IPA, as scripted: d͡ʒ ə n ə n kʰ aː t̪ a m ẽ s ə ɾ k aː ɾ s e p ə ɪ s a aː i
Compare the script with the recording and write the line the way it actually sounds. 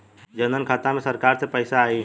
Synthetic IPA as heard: d͡ʒ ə n ə n kʰ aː t̪ a m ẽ s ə ɾ k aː ɾ s e p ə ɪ s a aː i